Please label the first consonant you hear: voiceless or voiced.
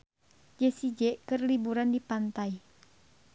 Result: voiced